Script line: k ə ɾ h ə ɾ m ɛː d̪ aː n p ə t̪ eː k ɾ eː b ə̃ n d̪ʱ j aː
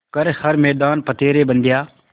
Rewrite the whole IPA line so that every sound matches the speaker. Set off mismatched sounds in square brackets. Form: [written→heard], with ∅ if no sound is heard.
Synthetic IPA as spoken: k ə ɾ h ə ɾ m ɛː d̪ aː n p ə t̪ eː [k→∅] ɾ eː b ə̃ n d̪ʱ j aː